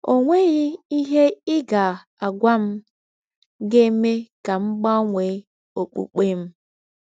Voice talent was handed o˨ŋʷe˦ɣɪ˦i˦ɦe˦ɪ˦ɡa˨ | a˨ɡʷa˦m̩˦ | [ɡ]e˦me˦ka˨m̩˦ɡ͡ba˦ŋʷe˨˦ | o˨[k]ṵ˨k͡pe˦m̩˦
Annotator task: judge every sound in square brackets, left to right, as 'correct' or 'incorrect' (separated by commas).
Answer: correct, incorrect